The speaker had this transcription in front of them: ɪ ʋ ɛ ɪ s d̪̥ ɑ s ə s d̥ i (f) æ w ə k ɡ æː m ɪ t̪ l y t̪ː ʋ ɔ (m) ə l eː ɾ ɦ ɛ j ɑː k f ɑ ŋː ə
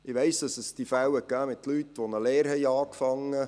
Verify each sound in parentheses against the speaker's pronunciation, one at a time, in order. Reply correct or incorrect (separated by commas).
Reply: correct, incorrect